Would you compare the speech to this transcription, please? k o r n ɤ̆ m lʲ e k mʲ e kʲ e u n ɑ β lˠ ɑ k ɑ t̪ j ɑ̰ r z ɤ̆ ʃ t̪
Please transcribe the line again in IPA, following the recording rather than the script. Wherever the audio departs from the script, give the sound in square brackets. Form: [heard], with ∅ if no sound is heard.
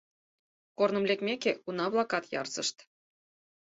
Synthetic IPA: k o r n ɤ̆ m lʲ e k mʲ e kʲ e u n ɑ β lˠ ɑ k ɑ t̪ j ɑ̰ r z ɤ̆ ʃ t̪